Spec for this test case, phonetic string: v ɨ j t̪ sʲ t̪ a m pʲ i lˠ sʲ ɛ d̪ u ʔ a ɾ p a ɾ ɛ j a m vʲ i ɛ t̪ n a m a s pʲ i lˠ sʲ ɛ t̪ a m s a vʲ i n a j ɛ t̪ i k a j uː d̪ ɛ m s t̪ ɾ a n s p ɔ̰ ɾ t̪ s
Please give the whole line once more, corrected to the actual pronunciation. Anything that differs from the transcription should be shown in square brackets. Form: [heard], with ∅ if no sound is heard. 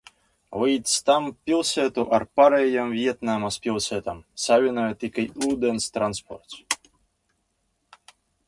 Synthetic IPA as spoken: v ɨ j t̪ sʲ t̪ a m pʲ i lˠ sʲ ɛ [t̪] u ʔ a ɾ p a ɾ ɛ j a m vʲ i ɛ t̪ n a m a s pʲ i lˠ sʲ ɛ t̪ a m s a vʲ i n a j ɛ t̪ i k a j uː d̪ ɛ [n] s t̪ ɾ a n s p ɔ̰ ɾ t̪ s